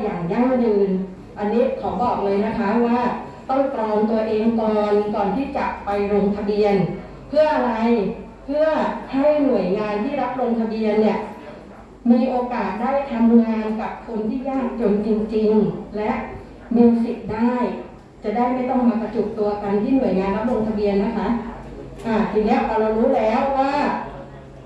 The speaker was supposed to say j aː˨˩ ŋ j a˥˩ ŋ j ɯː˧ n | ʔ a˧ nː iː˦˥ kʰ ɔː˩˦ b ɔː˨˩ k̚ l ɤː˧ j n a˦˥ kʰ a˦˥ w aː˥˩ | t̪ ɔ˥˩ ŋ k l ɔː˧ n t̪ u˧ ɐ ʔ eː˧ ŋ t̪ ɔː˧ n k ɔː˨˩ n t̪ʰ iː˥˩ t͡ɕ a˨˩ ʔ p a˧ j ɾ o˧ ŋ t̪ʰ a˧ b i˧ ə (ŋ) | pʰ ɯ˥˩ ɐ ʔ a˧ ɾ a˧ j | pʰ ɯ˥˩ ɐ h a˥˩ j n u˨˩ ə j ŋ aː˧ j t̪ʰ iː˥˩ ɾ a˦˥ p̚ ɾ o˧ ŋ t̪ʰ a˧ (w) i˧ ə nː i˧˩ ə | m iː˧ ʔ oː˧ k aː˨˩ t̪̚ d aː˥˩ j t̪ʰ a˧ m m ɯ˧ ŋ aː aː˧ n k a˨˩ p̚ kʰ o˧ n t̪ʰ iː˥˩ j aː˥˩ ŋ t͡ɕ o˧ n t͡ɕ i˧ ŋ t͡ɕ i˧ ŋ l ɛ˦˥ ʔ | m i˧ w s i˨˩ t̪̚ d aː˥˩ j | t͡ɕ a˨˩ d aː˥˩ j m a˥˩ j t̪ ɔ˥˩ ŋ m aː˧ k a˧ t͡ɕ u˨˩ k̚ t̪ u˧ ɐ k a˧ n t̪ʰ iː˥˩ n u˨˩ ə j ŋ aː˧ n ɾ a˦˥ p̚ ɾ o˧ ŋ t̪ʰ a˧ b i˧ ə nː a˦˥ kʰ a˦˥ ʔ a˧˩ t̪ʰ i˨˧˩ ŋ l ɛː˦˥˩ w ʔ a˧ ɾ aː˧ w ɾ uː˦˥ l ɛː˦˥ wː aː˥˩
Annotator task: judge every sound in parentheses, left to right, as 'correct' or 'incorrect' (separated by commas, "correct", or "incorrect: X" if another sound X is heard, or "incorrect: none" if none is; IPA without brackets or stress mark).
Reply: incorrect: n, incorrect: b